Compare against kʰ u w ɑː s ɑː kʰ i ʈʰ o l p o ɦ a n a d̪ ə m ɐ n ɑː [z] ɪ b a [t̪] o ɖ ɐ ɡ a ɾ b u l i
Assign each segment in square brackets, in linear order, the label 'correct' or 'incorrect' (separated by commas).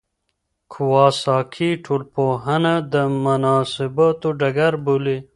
incorrect, correct